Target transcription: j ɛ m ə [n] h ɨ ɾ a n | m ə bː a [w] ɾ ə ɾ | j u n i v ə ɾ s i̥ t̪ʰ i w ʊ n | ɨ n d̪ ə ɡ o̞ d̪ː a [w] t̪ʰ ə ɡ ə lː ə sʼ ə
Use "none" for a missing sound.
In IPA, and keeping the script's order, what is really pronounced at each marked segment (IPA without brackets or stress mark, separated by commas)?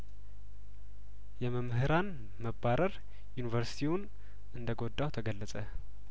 m, none, w